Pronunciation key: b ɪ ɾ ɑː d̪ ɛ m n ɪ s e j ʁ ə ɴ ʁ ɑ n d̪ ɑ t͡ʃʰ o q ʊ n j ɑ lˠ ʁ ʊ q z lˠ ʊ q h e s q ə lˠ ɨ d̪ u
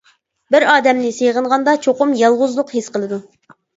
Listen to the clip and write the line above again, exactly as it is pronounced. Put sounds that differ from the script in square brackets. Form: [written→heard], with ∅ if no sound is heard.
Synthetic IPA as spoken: b ɪ ɾ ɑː d̪ ɛ m n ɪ s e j ʁ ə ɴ ʁ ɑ n d̪ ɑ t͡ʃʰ o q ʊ [n→m] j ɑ lˠ ʁ ʊ [q→∅] z lˠ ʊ q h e s q ə lˠ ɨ d̪ u